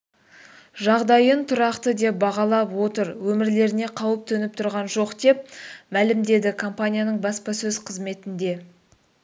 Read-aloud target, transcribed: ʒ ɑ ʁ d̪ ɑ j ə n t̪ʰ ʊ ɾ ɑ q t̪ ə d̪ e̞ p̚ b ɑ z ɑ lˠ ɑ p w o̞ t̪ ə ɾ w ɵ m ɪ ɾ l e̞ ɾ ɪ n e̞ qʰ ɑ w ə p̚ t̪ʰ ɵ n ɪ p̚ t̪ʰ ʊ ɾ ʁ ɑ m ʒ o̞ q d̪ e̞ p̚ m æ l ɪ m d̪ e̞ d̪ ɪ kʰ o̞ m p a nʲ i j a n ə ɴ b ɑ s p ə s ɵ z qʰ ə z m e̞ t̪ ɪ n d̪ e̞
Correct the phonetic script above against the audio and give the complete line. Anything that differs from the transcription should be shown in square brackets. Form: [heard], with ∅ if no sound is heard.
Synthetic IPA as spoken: ʒ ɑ ʁ d̪ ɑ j ə n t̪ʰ ʊ ɾ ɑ q t̪ ə d̪ e̞ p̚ b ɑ [ʁ] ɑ lˠ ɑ p w o̞ t̪ ə ɾ w ɵ m ɪ ɾ l e̞ ɾ ɪ n e̞ qʰ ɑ w ə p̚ t̪ʰ ɵ n ɪ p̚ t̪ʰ ʊ ɾ ʁ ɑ [n] ʒ o̞ q d̪ e̞ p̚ m æ l ɪ m d̪ e̞ d̪ ɪ kʰ o̞ m p a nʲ i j a n ə ɴ b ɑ s p [ɑ] s ɵ z qʰ ə z m e̞ t̪ ɪ n d̪ e̞